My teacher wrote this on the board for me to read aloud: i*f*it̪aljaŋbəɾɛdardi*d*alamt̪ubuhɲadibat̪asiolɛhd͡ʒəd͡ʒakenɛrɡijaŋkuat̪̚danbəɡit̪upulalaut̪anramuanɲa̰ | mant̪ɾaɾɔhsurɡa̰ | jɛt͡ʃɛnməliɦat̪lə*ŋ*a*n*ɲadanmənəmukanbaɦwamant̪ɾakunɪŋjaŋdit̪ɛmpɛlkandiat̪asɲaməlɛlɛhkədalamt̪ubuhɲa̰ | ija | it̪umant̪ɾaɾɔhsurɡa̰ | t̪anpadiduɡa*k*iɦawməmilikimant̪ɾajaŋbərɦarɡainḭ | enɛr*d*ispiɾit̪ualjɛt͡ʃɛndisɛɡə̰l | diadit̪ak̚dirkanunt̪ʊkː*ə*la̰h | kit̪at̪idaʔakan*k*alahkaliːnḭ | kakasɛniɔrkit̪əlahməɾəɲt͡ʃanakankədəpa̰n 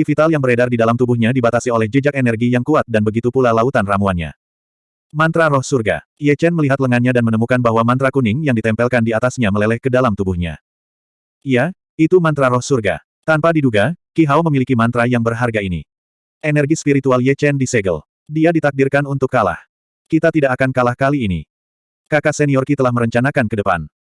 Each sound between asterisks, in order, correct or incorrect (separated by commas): correct, correct, correct, correct, correct, incorrect, incorrect, correct